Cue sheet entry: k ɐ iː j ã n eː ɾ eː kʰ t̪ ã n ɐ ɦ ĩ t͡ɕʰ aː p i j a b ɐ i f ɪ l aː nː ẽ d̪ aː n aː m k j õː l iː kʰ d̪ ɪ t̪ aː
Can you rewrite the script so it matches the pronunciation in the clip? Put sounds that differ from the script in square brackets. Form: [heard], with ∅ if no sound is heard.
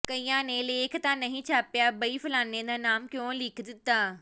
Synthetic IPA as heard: k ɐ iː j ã n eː [l] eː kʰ t̪ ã n ɐ ɦ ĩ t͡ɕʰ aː p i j a b ɐ i f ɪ l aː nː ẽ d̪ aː n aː m k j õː l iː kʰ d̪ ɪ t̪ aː